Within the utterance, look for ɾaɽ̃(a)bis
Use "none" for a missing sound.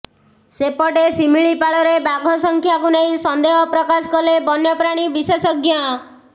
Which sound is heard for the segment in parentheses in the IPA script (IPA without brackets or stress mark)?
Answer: i